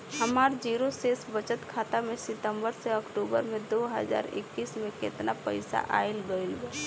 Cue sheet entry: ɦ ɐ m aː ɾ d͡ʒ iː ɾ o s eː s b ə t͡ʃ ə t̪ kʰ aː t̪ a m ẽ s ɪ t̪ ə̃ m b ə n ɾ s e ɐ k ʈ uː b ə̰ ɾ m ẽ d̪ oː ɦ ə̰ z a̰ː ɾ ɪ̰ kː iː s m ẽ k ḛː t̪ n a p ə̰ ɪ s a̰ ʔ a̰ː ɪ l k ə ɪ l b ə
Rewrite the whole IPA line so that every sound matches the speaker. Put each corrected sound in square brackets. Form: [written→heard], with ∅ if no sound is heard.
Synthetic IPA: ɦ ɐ m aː ɾ d͡ʒ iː ɾ o s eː s b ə t͡ʃ ə t̪ kʰ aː t̪ a m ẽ s ɪ t̪ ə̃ m b ə [n→∅] ɾ s e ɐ k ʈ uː b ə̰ ɾ m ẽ d̪ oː ɦ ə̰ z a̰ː ɾ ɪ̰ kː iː s m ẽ k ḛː t̪ n a p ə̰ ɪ s a̰ ʔ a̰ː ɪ l [k→ɡ] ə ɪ l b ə